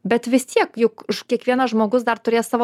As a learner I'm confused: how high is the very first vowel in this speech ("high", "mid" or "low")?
mid